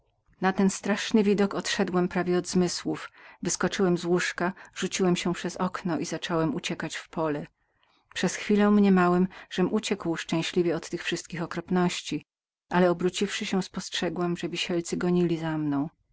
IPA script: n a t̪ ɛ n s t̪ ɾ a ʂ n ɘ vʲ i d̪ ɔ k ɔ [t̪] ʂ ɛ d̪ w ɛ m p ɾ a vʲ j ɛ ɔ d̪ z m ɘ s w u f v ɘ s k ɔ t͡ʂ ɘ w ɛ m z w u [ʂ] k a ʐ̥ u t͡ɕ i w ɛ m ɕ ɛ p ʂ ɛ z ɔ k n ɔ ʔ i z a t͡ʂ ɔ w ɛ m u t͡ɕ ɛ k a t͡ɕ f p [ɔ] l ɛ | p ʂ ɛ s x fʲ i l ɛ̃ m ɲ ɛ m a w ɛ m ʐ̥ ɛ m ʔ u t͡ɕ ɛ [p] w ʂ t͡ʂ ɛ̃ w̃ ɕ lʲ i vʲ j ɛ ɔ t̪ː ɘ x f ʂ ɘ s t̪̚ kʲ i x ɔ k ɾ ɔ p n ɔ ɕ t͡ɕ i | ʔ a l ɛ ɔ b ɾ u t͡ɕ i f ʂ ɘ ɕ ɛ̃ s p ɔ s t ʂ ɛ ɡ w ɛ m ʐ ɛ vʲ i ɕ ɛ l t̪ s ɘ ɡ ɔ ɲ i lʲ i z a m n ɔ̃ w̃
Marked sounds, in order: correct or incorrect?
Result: correct, correct, correct, incorrect

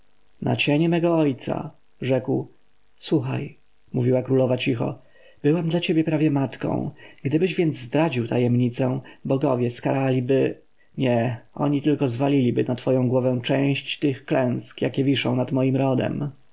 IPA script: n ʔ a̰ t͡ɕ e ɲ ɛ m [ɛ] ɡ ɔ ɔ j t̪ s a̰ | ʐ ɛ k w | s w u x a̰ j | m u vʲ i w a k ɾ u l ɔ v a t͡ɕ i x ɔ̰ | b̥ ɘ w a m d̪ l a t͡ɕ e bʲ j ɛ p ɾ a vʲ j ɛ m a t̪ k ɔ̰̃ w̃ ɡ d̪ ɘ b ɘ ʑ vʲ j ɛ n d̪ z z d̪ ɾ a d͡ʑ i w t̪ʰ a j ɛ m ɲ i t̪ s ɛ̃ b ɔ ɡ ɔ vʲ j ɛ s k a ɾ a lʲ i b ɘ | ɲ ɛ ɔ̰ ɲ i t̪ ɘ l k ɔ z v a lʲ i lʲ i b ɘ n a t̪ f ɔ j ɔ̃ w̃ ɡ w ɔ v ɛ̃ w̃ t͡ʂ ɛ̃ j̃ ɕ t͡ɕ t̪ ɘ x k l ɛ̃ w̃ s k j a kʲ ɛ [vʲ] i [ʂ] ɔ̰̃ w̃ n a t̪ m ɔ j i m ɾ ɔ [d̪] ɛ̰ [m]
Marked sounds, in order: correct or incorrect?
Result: correct, correct, correct, correct, correct

